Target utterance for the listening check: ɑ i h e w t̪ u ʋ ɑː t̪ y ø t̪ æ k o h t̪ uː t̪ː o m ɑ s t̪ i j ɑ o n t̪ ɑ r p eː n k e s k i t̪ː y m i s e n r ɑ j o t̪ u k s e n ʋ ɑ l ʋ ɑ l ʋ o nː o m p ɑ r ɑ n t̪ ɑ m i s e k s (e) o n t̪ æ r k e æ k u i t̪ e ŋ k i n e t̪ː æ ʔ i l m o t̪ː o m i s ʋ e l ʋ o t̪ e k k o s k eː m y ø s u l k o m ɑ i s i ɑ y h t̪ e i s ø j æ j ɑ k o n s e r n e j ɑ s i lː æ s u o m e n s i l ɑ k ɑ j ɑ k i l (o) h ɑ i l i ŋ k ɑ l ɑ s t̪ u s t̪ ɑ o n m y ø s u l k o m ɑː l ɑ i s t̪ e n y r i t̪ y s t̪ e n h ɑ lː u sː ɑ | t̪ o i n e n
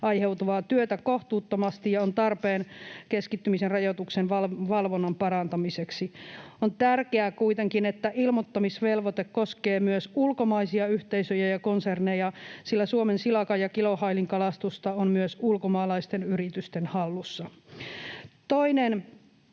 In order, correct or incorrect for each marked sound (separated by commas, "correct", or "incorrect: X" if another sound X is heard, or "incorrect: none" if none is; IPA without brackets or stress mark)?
incorrect: i, correct